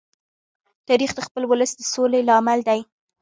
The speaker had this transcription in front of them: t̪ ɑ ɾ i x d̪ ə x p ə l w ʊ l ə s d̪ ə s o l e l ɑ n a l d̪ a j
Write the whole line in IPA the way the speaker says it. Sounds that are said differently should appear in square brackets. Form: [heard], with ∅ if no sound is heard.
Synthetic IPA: t̪ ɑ ɾ i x d̪ ə x p ə l w ʊ l ə s d̪ ə s o l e l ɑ [m] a l d̪ a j